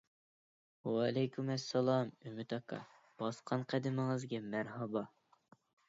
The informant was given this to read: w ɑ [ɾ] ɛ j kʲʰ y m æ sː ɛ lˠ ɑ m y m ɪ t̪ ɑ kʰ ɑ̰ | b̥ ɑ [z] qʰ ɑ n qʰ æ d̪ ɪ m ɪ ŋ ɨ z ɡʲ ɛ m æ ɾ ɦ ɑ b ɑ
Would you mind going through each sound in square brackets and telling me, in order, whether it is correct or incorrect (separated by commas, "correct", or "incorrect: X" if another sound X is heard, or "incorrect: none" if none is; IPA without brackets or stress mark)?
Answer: incorrect: l, incorrect: s